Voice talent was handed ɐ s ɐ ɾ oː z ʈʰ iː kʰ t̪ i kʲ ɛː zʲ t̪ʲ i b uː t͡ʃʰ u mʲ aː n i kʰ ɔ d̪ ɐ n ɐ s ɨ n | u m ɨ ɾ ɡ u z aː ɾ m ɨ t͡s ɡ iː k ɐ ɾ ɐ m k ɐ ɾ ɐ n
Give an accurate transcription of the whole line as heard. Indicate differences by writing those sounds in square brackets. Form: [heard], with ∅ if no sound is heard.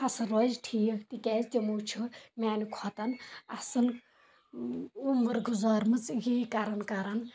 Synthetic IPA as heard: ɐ s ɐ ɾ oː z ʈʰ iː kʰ t̪ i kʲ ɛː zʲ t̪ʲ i [m] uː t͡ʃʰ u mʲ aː n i kʰ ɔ [t̪] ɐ n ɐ s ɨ n | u m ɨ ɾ ɡ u z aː ɾ m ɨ t͡s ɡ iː k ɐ ɾ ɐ [n] k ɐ ɾ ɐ n